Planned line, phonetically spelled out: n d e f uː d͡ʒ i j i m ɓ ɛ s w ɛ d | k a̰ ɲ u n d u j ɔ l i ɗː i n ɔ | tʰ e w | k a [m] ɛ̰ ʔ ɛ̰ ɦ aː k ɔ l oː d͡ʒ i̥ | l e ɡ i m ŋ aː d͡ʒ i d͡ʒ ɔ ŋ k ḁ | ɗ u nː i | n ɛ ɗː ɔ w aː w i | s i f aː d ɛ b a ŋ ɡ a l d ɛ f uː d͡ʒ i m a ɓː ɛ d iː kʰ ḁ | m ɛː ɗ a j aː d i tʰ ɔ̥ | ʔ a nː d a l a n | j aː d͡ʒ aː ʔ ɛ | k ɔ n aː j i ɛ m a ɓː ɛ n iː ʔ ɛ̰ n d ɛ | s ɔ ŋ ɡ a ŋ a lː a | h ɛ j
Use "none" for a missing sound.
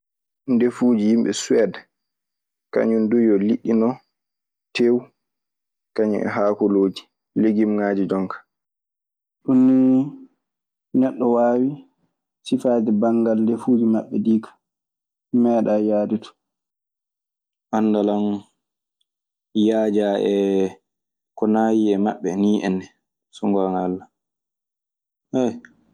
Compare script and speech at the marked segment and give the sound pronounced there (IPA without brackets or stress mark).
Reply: ɲ